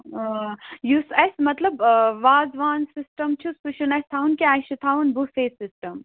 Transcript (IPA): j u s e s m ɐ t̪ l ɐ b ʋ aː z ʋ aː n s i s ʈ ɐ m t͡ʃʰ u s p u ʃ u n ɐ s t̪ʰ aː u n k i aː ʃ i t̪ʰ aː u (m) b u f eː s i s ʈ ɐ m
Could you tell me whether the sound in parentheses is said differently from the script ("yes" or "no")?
yes